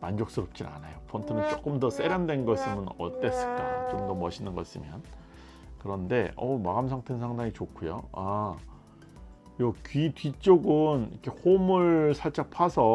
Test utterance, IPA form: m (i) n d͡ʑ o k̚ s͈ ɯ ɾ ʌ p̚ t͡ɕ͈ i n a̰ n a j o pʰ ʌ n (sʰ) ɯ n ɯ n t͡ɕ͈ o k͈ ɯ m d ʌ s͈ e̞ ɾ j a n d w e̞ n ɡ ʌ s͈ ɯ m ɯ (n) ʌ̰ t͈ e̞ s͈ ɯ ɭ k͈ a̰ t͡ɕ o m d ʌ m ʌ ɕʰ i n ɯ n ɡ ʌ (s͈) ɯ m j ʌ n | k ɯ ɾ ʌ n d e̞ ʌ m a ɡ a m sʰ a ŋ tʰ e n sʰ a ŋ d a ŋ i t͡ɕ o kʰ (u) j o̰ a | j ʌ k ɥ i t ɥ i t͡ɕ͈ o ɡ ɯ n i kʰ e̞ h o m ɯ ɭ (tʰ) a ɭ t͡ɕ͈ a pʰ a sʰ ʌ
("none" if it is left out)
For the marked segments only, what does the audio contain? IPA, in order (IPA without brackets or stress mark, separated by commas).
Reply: a, tʰ, n, s͈, u, sʰ